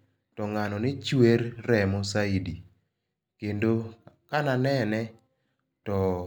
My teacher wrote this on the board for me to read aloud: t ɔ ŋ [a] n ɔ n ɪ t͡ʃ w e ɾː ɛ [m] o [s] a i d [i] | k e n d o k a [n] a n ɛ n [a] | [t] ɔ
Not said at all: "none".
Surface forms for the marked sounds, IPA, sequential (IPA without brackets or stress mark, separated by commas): a, m, s, i, n, ɛ, t